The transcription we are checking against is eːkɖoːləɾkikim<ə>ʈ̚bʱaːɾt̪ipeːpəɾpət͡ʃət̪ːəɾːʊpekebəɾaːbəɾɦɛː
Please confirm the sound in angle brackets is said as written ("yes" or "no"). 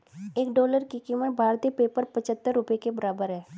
yes